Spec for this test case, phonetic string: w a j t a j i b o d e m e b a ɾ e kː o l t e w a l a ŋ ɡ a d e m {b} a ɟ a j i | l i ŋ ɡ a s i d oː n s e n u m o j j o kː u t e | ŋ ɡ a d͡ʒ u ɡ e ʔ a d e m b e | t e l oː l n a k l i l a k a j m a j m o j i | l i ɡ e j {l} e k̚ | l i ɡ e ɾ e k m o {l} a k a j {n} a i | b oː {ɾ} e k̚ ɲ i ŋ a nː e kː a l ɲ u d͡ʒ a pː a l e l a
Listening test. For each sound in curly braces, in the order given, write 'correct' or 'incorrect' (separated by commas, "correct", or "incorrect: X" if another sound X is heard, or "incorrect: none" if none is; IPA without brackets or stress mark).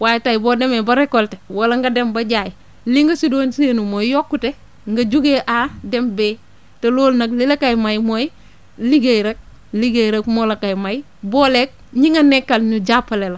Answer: correct, incorrect: ɾ, correct, incorrect: m, incorrect: l